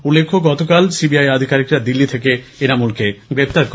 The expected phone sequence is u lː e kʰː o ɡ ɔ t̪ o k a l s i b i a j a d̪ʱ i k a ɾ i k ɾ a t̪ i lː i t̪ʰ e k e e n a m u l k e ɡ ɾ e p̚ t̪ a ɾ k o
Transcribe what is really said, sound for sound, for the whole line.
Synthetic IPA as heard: u lː e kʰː o ɡ ɔ t̪ o k a l s i b i a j a d̪ʱ i k a ɾ i k ɾ a d̪ i lː i t̪ʰ e k e e n a m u l k e ɡ ɾ e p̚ t̪ a ɾ k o